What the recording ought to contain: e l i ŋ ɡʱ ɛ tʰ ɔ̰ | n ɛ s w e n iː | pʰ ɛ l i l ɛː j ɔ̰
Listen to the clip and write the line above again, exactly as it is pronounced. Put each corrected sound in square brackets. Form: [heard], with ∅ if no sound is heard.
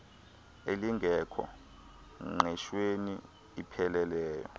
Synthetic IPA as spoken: e l i ŋ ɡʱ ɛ [kʰ] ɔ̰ | [ŋ] ɛ [ʃ] w e n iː | pʰ ɛ l [ɛ] l ɛː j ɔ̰